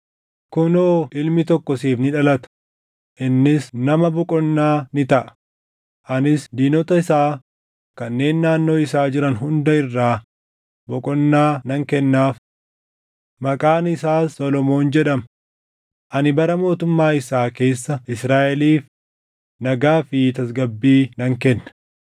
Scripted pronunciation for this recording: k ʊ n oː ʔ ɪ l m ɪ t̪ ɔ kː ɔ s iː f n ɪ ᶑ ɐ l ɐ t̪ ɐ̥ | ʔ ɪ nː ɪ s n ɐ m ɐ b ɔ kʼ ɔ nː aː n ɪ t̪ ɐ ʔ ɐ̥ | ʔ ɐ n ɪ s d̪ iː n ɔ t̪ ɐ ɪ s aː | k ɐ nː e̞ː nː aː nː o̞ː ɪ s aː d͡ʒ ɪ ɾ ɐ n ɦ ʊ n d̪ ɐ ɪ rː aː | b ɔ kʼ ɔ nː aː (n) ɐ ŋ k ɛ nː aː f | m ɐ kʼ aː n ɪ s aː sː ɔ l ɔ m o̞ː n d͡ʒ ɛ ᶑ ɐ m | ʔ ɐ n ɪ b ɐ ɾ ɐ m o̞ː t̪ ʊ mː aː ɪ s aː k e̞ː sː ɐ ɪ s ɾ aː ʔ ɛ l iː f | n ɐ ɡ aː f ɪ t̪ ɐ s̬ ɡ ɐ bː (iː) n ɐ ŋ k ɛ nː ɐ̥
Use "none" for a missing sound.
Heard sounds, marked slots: n, iː

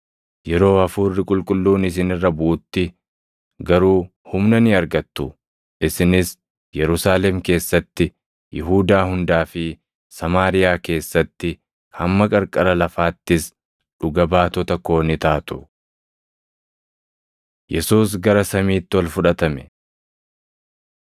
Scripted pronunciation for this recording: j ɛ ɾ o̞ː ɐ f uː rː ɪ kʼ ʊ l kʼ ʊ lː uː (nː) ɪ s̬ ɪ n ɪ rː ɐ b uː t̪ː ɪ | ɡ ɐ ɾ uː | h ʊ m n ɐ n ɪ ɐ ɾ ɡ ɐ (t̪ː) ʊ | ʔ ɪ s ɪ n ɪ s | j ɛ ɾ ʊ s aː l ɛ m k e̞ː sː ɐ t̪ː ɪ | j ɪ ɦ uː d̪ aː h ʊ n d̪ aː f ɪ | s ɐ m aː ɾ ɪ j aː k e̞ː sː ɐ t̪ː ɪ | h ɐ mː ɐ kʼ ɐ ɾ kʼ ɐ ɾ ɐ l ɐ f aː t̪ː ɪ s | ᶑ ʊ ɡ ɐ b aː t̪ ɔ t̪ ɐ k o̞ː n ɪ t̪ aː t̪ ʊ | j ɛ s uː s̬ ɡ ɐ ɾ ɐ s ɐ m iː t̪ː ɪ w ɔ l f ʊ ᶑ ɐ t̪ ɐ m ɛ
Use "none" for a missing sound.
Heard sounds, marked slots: n, t̪ː

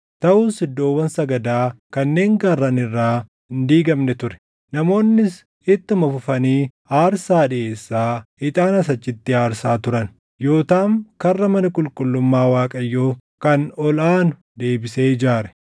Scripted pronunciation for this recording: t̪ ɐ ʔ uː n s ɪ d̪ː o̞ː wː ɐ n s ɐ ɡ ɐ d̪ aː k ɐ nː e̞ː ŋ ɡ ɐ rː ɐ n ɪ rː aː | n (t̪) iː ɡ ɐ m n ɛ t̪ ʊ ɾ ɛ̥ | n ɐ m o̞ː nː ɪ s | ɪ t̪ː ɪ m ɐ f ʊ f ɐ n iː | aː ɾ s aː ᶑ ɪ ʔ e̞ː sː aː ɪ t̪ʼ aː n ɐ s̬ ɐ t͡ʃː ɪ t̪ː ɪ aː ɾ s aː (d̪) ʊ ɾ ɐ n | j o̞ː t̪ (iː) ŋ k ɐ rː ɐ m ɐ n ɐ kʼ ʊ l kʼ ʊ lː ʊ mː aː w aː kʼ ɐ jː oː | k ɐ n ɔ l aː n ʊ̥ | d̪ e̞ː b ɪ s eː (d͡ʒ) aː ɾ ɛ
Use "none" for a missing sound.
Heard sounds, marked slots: d̪, t̪, aː, d͡ʒ

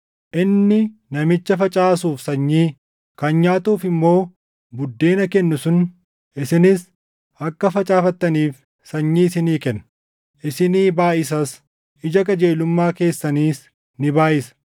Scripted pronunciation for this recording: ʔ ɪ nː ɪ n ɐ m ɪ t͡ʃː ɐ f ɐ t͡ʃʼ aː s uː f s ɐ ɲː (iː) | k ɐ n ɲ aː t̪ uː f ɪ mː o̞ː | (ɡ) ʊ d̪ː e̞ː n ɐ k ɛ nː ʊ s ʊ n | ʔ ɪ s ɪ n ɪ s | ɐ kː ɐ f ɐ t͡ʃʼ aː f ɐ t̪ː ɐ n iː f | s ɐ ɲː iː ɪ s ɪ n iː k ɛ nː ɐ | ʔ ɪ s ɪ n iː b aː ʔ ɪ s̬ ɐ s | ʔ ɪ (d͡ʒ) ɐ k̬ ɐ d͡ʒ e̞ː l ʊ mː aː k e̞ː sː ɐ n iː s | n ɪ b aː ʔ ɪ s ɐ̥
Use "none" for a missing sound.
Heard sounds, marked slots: iː, b, d͡ʒ

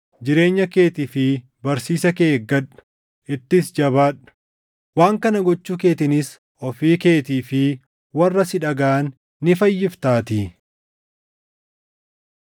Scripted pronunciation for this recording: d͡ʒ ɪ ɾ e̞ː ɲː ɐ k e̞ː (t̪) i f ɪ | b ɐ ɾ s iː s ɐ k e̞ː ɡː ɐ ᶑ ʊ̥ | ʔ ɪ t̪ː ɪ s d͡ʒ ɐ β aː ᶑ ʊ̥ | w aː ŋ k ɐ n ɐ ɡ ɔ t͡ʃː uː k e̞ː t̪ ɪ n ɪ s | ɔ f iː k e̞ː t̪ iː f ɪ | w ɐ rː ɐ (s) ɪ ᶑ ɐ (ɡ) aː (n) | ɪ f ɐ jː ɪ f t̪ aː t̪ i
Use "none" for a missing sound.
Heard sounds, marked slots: t̪, s, ɡ, nː

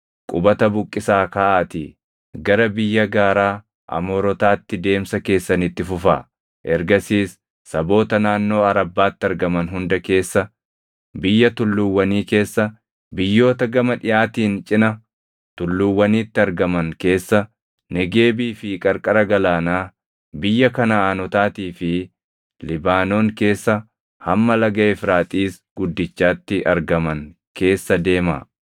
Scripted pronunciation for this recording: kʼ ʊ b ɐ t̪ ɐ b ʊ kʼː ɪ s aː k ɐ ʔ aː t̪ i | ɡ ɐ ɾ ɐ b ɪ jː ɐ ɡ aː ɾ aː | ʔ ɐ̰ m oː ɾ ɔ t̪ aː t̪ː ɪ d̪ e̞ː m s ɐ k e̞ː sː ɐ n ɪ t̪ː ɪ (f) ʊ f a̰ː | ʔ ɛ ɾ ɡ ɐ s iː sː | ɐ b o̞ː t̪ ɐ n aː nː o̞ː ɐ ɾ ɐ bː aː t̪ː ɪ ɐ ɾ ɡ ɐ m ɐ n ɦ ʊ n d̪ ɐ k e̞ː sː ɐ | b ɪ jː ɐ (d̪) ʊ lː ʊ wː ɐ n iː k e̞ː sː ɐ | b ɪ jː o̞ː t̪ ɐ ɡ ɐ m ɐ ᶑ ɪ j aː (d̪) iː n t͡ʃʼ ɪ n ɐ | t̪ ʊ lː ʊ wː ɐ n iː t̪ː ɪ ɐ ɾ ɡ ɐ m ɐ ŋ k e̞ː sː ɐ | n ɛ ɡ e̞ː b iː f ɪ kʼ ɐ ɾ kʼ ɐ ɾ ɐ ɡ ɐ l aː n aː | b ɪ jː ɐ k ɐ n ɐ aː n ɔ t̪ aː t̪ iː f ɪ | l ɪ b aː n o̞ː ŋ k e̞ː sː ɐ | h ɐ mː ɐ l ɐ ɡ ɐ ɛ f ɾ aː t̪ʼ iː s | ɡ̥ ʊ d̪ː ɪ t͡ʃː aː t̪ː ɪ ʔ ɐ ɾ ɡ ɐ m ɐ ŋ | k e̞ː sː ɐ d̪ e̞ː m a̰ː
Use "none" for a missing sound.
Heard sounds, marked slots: f, t̪, t̪

